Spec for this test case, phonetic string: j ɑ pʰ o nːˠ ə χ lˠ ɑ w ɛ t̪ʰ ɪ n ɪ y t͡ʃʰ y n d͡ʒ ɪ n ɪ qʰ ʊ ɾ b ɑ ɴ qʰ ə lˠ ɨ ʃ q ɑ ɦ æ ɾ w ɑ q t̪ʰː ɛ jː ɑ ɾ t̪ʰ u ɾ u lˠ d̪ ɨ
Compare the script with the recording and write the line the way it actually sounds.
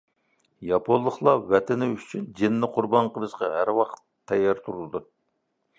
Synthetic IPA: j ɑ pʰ o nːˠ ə χ lˠ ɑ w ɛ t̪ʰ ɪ n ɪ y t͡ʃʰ y n d͡ʒ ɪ nː ɪ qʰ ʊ ɾ b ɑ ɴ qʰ ə lˠ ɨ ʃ q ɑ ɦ æ ɾ w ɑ q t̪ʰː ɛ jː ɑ ɾ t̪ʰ u ɾ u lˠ d̪ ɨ